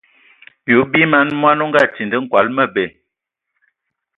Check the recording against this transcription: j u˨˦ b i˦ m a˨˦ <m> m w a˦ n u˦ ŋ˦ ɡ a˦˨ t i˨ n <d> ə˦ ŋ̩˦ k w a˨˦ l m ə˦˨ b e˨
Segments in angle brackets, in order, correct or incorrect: incorrect, correct

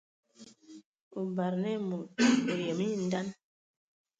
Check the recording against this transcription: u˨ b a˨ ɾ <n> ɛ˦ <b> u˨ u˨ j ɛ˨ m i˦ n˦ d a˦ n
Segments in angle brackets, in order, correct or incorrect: correct, incorrect

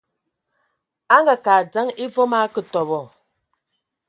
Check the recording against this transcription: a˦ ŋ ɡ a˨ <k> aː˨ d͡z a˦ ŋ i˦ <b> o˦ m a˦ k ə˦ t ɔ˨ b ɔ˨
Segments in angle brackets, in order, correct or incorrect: correct, incorrect

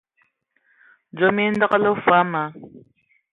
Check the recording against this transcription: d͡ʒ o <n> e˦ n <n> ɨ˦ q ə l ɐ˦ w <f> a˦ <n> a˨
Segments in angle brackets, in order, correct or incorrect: incorrect, incorrect, correct, incorrect

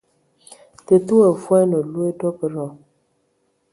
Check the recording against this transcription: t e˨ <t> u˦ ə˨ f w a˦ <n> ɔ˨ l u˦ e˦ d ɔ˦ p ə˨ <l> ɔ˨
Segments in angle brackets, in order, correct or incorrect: correct, correct, incorrect

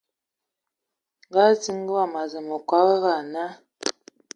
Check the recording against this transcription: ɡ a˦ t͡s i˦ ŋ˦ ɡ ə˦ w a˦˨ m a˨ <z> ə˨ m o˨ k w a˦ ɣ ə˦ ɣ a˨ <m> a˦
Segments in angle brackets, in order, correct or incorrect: correct, incorrect

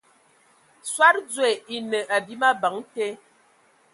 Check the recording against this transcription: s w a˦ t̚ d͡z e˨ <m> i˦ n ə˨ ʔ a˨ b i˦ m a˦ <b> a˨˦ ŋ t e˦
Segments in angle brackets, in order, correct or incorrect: incorrect, correct

